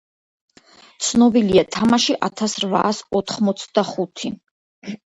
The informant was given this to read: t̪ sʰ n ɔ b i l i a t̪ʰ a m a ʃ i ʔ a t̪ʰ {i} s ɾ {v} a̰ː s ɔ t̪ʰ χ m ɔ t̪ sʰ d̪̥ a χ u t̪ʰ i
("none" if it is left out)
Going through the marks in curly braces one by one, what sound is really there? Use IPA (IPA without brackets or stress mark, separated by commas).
a, v